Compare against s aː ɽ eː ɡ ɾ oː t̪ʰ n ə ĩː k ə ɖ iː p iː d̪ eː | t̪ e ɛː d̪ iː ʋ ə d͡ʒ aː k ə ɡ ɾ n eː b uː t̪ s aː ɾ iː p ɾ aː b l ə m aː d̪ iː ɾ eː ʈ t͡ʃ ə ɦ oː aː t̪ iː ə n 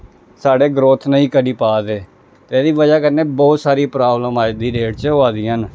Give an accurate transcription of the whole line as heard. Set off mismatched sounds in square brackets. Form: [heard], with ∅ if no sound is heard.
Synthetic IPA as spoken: s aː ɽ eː ɡ ɾ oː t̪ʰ n ə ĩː k ə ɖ iː p [aː] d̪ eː | t̪ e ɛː d̪ iː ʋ ə d͡ʒ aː k ə [∅] ɾ n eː b [ɔː] t̪ s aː ɾ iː p ɾ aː b l ə m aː d̪ iː ɾ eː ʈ t͡ʃ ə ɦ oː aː [d̪] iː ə n